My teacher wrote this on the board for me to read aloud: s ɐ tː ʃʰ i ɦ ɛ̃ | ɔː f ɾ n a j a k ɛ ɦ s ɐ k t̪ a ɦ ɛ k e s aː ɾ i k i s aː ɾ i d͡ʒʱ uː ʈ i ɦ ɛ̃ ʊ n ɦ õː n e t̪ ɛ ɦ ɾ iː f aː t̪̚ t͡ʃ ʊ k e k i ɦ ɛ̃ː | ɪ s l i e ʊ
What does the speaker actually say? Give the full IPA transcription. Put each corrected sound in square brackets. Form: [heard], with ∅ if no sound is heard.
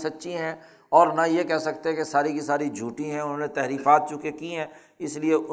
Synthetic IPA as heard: s ɐ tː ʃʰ i ɦ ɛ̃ | ɔː [∅] ɾ n a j [e] k ɛ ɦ s ɐ k t̪ [e] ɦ ɛ k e s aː ɾ i k i s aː ɾ i d͡ʒʱ uː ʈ i ɦ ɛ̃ ʊ n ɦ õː n e t̪ ɛ ɦ ɾ iː f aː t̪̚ t͡ʃ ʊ k e k i ɦ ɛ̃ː | ɪ s l i e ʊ